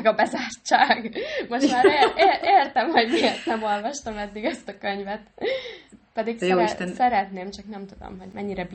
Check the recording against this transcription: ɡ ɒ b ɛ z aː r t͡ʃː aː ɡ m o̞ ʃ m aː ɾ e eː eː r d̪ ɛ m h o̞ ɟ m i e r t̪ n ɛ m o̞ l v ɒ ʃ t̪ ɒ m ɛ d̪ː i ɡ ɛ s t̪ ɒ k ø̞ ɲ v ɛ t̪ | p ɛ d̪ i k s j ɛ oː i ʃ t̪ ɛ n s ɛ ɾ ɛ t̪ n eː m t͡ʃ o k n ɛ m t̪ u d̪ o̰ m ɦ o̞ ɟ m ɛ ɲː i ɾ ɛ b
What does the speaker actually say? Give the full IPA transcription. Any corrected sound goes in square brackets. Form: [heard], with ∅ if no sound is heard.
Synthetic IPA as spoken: ɡ ɒ b ɛ z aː r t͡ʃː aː ɡ m o̞ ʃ m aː ɾ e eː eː r [t̪] ɛ m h o̞ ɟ m i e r t̪ n ɛ m o̞ l v ɒ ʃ t̪ ɒ m ɛ d̪ː i ɡ ɛ s t̪ ɒ k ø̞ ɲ v ɛ t̪ | p ɛ d̪ i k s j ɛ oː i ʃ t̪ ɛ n s ɛ ɾ ɛ t̪ n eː m t͡ʃ [ɒ] k n ɛ m t̪ u d̪ o̰ m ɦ o̞ ɟ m ɛ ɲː i ɾ ɛ b